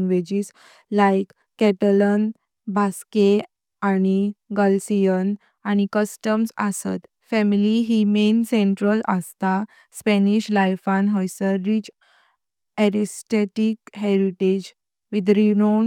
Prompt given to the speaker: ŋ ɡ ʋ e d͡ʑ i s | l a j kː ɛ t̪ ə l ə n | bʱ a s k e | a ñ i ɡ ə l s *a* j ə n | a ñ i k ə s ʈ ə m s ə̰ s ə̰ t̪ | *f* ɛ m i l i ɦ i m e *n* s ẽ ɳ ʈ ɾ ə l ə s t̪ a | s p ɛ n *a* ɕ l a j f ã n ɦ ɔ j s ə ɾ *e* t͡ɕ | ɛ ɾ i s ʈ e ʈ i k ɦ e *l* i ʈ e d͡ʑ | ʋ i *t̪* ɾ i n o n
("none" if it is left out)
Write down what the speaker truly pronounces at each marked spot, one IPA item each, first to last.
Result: i, f, n, i, i, ɾ, d̪

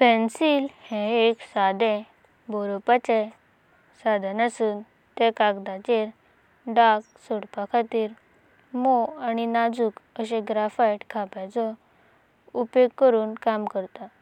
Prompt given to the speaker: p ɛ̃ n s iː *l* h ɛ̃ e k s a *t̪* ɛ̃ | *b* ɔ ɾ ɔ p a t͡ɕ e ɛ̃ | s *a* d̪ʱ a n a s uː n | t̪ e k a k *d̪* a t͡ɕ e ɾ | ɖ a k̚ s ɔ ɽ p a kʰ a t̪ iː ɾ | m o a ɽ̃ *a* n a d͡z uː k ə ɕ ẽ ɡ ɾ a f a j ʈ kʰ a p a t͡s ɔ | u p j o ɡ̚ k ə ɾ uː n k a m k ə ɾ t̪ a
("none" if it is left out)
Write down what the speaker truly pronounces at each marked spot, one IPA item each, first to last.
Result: l, d̪, b, a, d̪, i

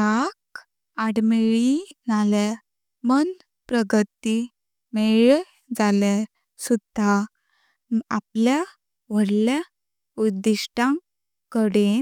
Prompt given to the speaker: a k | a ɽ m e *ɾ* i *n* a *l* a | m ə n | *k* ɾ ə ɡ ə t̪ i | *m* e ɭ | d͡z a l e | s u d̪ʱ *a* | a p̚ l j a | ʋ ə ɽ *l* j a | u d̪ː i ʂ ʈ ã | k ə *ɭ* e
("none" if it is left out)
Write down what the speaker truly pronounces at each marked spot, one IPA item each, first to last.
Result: ɭ, n, l, p, m, a, l, ɽ

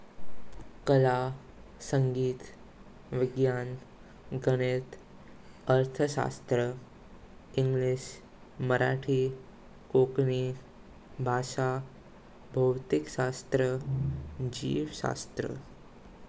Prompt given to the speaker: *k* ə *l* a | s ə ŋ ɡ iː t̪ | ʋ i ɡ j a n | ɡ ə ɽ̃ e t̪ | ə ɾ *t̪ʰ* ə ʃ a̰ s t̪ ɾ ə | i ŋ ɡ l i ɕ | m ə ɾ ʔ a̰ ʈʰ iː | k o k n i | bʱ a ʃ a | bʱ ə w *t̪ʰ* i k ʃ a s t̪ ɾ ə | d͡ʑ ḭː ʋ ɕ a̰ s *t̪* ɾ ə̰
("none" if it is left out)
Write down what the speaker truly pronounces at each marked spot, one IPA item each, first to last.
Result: k, l, t̪ʰ, t̪, t̪

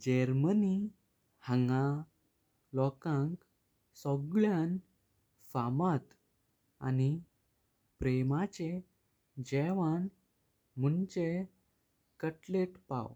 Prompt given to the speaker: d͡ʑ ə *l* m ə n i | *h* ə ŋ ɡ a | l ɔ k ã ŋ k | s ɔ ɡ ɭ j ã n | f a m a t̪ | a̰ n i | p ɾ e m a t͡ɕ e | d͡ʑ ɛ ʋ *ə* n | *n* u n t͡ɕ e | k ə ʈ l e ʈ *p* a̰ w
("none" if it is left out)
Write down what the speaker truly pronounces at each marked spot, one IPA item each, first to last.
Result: ɾ, h, a, m, p

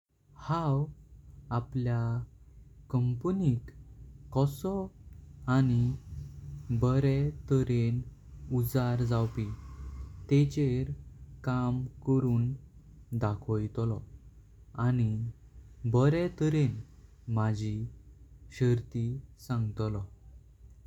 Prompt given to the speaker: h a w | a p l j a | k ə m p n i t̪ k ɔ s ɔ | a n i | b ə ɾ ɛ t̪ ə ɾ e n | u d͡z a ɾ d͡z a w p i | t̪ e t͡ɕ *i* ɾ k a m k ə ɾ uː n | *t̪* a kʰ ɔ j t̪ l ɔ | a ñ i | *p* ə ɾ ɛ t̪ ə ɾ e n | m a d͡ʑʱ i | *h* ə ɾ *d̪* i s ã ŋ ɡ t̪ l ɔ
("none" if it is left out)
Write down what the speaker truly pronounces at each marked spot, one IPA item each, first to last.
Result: e, d̪, b, ɕ, t̪

